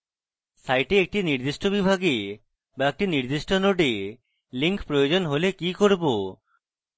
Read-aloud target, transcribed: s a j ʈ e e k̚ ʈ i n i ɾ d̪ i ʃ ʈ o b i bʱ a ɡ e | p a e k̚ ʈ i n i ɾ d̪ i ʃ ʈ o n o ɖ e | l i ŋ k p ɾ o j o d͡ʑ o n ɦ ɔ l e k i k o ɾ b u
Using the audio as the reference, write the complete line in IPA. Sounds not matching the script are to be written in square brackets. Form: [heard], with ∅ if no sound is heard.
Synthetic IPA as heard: s a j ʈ e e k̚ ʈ i n i ɾ d̪ i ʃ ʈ o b i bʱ a ɡ e | [b] a e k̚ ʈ i n i ɾ d̪ i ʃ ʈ o n o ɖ e | l i ŋ k p ɾ o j o d͡ʑ o n ɦ [o] l e k i k o ɾ b [o]